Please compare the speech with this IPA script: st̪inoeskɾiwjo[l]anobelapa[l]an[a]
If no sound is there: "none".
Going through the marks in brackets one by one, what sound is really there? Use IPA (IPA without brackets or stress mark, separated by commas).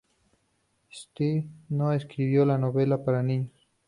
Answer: l, ɾ, i